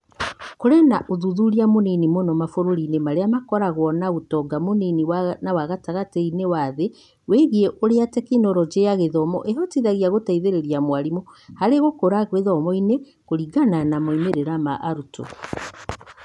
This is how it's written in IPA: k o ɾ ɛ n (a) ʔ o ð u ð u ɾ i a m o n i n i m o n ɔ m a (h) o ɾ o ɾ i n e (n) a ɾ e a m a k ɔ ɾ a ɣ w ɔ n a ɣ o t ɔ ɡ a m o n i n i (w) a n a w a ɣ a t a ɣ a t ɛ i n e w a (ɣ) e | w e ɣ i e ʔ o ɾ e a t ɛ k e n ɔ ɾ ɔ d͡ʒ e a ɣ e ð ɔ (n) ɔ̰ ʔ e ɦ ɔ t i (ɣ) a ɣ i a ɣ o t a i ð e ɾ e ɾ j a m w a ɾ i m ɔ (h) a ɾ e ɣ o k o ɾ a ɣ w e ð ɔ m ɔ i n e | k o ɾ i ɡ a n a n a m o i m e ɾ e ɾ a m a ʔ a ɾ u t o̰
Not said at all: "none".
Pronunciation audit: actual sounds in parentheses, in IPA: a, f, m, w, ð, m, ð, h

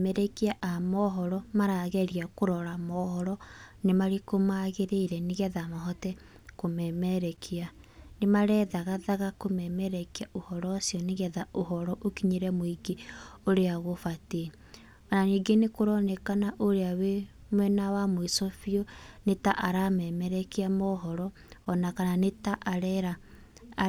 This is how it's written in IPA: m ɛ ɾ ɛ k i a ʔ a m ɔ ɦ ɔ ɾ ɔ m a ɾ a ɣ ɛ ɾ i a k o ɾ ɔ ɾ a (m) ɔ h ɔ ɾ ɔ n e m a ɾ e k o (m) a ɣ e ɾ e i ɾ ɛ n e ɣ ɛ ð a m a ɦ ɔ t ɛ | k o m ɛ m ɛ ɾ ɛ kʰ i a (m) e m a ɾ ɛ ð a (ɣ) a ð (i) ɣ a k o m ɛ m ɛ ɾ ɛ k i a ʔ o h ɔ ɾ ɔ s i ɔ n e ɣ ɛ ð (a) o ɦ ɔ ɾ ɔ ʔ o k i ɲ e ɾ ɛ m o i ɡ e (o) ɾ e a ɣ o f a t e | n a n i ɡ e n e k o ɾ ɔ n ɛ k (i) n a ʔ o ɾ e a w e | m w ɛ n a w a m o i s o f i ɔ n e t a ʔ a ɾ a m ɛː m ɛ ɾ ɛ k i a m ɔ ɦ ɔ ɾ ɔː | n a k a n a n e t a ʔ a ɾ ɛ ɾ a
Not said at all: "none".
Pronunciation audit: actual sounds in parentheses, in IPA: m, m, n, ɣ, a, a, o, a

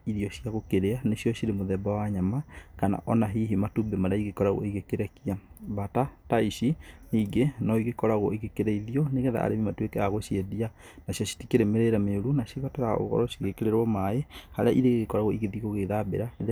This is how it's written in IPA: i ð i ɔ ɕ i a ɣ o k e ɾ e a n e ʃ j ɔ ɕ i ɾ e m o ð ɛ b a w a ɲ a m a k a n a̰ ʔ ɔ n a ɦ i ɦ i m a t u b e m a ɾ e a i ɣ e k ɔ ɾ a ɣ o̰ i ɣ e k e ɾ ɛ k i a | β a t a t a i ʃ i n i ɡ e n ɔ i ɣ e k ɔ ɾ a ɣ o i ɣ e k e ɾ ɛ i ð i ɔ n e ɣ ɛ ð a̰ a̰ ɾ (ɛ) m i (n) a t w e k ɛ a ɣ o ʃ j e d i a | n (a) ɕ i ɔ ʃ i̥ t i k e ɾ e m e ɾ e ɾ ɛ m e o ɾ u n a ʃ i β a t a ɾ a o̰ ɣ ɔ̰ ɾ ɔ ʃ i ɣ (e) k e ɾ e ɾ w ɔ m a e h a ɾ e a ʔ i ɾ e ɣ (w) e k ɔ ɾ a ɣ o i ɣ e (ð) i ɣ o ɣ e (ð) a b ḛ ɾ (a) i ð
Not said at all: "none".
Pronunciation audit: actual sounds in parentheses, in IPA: e, m, a, e, ɣ, ð, ð, a

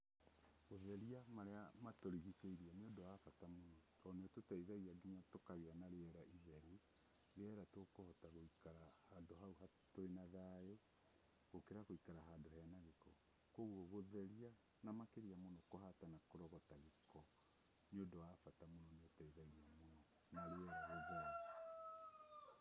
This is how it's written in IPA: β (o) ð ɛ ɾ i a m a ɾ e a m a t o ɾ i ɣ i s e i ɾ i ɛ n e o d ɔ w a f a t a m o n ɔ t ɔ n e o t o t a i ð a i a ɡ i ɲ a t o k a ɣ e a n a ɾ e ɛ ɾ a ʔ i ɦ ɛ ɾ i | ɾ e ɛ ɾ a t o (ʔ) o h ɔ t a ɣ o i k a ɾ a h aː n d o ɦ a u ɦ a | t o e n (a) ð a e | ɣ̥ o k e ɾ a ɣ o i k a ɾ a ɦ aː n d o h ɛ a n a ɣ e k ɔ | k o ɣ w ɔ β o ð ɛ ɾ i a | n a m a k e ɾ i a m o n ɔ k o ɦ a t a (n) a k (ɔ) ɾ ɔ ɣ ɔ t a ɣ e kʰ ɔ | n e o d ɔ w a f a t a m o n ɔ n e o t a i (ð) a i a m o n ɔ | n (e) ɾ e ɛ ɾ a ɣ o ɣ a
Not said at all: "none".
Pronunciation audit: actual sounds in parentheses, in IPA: o, k, a, n, o, ð, a

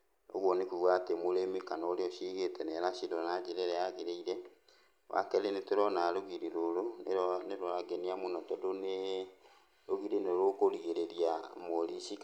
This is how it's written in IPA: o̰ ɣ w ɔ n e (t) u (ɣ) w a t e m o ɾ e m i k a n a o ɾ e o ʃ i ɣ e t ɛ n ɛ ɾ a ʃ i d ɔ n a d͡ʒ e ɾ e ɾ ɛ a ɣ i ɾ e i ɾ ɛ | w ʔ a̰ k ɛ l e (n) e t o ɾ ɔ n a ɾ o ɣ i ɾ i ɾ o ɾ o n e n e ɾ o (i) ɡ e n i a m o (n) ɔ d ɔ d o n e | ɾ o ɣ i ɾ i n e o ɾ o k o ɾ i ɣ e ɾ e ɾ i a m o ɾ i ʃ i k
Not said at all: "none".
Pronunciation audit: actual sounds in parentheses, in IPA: k, ɣ, n, a, n

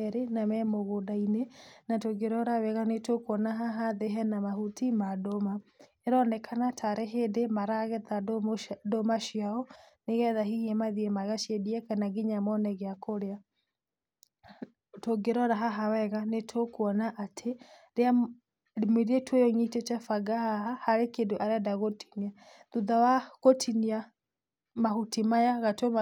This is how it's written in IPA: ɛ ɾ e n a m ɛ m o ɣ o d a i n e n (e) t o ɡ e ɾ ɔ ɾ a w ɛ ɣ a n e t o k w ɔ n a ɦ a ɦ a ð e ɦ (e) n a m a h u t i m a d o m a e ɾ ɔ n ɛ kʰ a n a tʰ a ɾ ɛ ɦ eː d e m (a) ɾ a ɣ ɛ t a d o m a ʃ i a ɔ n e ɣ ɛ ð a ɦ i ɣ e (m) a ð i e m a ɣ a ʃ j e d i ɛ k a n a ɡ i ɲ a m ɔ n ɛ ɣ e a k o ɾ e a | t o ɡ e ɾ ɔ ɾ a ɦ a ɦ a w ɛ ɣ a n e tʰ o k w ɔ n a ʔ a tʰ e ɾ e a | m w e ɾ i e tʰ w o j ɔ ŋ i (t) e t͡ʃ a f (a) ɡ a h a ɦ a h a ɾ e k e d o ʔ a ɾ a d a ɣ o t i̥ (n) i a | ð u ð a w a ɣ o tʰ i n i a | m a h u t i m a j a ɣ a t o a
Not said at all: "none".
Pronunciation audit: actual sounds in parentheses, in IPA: a, ɛ, a, m, t, a, n

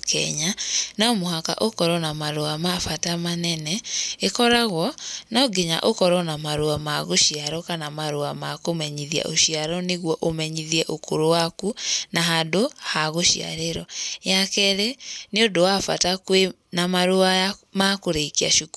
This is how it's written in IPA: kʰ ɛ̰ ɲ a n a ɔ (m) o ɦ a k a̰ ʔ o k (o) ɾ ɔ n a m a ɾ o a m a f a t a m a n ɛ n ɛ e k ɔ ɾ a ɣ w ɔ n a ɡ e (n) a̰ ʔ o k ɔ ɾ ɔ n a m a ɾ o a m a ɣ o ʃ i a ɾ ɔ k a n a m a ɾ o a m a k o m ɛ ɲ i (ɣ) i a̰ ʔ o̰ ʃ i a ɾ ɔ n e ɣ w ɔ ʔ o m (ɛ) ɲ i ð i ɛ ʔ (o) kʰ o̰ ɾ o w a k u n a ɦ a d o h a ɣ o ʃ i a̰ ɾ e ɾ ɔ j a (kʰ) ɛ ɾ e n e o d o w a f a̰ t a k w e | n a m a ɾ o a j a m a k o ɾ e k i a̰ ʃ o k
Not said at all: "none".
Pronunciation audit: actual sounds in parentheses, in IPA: m, ɔ, ɲ, ð, ɛ, o, k

